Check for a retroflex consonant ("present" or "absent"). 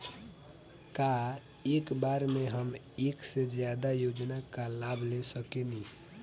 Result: absent